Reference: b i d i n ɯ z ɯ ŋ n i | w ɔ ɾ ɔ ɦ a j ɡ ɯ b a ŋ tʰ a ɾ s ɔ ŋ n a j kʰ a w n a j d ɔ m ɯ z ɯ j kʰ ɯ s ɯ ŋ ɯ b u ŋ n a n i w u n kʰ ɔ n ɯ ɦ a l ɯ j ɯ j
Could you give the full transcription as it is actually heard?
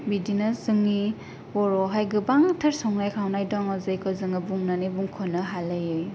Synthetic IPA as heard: b i d i n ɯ z ɯ ŋ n i | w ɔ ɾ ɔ ɦ a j ɡ ɯ b a ŋ tʰ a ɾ s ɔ ŋ n a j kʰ a w n a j d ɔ ŋ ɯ z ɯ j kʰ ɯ z ɯ ŋ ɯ b u ŋ n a n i b u ŋ kʰ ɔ n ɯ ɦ a l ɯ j ɯ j